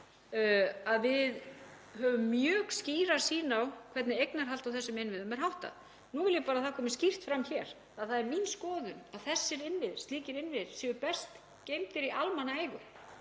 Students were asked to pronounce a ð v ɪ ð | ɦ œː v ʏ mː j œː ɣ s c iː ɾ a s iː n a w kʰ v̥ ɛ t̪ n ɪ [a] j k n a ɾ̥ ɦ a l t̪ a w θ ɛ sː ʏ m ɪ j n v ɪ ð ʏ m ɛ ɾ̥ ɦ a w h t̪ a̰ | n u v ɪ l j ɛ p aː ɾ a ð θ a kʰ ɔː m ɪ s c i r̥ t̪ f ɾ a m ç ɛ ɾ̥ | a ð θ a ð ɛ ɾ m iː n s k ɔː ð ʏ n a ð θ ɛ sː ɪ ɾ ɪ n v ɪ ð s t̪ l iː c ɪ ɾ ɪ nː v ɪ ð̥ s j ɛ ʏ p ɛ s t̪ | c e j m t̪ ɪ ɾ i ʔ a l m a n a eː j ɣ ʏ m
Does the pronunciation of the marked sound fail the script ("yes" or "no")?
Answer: yes